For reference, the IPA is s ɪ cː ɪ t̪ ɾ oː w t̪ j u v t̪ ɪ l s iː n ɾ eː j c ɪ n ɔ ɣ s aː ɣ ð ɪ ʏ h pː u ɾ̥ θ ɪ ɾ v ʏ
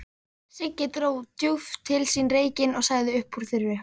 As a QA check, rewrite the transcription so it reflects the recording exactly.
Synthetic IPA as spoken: s ɪ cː ɪ t̪ ɾ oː w t̪ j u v t̪ʰ ɪ l s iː n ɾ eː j c ɪ n ɔ ɣ s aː ɣ ð ɪ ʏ h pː u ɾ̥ θ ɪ ɾ v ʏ